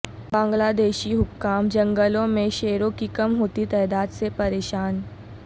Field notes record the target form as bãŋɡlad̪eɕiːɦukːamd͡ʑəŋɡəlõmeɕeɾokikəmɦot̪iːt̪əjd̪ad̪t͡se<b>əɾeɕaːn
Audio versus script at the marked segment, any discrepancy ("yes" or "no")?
yes